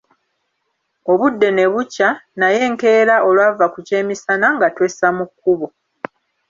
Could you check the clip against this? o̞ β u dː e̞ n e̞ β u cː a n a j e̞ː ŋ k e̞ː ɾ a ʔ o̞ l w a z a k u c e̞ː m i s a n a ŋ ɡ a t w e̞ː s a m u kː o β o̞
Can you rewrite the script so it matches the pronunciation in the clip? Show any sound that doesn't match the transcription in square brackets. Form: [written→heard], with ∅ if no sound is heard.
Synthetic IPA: o̞ β u dː e̞ n e̞ β u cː a n a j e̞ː ŋ k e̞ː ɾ a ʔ o̞ l w a [z→v] a k u c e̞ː m i s a n a ŋ ɡ a t w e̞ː s a m u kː [o→u] β o̞